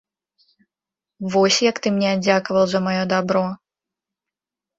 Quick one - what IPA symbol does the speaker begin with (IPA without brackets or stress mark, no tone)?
v